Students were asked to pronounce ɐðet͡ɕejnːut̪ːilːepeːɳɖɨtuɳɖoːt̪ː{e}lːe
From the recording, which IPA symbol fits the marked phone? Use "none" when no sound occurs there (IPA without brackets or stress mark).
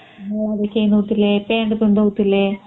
i